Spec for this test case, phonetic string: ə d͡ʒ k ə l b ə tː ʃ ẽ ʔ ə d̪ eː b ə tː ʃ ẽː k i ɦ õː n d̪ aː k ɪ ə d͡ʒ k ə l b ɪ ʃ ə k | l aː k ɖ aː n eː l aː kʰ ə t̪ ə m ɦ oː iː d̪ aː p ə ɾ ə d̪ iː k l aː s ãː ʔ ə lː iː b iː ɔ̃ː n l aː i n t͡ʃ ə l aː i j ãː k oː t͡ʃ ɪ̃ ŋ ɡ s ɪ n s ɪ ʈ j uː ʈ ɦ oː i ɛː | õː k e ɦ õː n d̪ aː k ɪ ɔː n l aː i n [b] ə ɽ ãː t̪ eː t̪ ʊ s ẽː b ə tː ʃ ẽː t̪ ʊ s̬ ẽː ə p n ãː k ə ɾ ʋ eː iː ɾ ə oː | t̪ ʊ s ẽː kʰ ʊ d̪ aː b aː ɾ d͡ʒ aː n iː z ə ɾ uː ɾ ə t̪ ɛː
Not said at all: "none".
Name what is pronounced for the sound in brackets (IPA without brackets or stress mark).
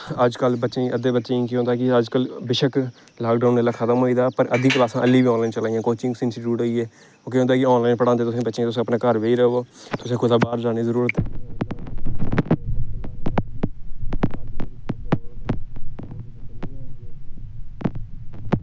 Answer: p